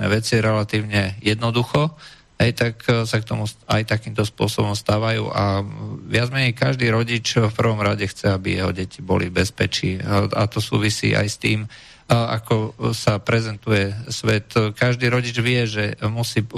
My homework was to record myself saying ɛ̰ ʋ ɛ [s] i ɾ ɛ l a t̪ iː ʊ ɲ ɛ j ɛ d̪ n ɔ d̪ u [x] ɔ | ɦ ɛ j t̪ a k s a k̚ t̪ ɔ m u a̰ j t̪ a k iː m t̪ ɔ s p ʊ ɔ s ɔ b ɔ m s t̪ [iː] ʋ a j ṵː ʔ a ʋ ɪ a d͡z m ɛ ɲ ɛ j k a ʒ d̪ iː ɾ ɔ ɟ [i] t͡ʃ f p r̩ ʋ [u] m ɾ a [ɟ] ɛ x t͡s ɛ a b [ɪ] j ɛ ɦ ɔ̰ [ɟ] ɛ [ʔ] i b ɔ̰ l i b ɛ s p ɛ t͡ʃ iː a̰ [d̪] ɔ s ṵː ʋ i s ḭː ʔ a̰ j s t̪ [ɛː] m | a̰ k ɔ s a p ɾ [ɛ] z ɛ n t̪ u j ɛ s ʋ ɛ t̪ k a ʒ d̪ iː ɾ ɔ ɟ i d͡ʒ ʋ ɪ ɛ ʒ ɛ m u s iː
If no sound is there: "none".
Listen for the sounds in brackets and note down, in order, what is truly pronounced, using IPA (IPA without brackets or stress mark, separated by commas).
t͡s, x, aː, i, ɔ, ɟ, i, ɟ, c, t̪, iː, ɛ